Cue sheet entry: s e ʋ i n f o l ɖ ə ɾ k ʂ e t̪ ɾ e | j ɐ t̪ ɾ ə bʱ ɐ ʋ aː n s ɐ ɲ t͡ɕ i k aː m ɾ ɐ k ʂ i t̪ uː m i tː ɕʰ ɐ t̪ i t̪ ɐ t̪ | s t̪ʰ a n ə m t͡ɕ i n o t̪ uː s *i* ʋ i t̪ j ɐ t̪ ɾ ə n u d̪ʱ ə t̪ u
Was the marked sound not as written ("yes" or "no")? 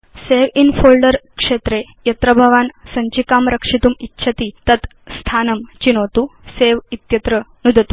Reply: yes